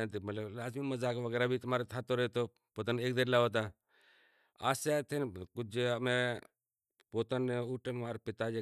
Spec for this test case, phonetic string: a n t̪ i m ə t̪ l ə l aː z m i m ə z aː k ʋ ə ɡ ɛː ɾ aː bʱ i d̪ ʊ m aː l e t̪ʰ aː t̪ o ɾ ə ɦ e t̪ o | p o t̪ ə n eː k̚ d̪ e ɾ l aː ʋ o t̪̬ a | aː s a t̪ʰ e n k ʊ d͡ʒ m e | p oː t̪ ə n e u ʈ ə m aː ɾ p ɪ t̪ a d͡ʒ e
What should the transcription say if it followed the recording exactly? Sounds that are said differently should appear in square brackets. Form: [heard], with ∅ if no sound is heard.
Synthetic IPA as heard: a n t̪ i m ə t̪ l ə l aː z m i m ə z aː k ʋ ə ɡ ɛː ɾ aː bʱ i [t̪] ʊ m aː [ɾ] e t̪ʰ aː t̪ o ɾ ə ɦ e t̪ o | p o t̪ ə n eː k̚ d̪ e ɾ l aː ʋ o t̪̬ a | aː s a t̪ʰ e n k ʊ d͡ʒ m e | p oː t̪ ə n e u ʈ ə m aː ɾ p ɪ t̪ a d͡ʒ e